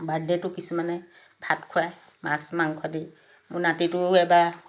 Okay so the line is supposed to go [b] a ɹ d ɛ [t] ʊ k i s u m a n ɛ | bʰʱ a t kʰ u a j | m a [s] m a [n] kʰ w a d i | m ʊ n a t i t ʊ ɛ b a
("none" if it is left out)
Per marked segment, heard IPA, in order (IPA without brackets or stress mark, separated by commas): b, t, s, ŋ